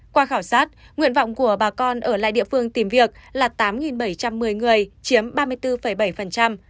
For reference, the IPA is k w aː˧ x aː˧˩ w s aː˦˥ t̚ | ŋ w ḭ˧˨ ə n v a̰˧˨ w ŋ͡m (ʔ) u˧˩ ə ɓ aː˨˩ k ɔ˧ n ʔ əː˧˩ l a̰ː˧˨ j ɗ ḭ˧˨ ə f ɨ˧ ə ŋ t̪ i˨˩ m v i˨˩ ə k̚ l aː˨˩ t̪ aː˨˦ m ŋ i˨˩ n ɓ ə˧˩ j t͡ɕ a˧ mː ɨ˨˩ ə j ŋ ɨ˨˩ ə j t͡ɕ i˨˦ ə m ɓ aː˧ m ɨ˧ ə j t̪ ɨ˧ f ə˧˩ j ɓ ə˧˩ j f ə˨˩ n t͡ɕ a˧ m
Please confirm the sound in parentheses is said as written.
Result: no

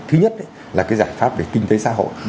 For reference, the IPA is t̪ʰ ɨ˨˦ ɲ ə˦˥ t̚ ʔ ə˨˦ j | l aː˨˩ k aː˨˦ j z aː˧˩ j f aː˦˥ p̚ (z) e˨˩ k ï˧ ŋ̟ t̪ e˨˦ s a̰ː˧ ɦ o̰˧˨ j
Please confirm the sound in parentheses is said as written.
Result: no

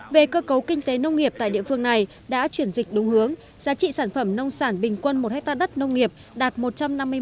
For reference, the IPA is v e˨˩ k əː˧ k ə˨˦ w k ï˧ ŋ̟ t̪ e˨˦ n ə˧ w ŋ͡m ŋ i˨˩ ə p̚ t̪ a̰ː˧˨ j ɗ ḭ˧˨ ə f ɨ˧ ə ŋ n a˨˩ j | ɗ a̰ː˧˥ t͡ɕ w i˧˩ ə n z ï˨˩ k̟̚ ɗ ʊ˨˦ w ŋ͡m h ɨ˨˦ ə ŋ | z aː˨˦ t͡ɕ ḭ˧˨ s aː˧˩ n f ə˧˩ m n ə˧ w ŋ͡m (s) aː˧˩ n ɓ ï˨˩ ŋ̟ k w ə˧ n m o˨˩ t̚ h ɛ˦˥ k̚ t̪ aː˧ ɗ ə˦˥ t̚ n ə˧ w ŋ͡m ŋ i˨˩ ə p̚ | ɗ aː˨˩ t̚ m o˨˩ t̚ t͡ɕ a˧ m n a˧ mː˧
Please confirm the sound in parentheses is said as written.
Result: yes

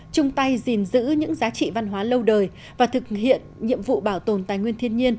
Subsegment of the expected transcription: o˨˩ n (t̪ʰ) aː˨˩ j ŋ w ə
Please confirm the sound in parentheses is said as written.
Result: no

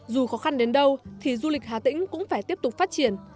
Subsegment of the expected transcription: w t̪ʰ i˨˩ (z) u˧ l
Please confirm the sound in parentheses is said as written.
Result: yes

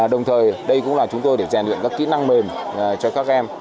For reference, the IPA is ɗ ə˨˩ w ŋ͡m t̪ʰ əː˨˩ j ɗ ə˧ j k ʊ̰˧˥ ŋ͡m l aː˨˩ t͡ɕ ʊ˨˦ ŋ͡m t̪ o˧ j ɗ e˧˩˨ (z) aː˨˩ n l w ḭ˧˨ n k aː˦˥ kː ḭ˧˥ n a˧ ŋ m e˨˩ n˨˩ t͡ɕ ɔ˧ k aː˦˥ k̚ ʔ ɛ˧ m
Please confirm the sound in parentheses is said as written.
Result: yes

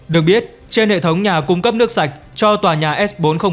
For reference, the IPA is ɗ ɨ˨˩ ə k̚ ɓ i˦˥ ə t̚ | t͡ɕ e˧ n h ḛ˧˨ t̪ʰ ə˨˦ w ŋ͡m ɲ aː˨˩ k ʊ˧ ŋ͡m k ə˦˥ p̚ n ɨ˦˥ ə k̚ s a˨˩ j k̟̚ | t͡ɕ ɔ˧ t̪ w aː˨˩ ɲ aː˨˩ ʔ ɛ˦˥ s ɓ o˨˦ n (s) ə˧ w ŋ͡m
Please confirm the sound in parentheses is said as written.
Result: no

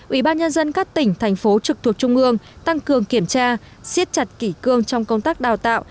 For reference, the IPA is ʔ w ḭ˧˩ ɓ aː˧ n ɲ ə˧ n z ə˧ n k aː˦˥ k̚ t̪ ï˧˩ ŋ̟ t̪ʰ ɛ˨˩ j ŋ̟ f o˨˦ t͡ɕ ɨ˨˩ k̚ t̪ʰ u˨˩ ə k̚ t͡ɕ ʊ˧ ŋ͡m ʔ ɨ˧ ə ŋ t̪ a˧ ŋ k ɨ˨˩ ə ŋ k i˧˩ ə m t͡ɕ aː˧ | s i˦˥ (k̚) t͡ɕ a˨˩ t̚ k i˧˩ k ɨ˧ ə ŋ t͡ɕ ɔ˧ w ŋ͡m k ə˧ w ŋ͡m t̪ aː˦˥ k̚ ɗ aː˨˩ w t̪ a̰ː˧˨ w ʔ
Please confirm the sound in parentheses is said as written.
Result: no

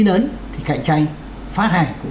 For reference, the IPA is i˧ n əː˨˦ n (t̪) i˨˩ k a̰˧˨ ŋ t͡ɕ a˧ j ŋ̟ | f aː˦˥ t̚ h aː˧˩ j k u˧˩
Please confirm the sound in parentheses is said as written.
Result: no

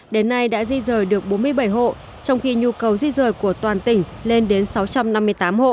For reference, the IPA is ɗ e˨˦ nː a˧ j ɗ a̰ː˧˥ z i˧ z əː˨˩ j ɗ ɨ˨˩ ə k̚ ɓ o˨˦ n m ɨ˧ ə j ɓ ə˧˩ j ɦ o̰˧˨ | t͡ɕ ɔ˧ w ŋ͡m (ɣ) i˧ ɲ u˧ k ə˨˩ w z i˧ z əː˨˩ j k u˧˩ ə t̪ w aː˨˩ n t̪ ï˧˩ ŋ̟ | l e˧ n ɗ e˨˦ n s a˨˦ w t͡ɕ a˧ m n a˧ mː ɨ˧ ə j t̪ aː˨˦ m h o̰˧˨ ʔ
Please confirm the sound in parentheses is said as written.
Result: no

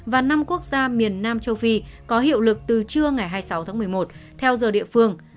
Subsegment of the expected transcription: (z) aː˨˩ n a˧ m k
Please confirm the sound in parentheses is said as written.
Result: no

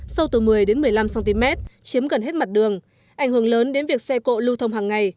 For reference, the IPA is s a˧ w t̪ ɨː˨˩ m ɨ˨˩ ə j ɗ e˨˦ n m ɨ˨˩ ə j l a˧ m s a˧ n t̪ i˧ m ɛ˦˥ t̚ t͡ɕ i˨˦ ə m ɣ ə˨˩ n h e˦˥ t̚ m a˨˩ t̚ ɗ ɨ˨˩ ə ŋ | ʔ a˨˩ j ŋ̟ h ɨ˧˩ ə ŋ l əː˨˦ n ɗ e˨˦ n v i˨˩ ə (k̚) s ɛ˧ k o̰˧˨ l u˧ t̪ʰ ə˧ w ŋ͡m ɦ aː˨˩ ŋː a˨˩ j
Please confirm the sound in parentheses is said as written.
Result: yes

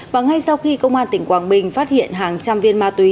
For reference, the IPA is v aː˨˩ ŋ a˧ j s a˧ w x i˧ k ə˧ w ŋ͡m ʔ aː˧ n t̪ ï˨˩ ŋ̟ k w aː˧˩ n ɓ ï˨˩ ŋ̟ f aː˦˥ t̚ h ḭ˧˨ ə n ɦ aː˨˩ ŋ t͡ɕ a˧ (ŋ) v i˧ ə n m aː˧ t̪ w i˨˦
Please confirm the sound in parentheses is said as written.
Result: no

